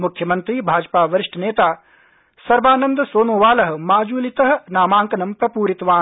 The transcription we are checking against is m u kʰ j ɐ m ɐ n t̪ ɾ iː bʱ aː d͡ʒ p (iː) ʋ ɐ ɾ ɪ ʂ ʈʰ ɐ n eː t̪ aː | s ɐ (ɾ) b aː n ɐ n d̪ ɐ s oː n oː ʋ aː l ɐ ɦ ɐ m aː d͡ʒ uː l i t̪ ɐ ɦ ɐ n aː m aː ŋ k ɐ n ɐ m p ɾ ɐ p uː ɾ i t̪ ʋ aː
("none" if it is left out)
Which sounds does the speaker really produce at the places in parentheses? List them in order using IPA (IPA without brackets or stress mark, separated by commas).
aː, ɾ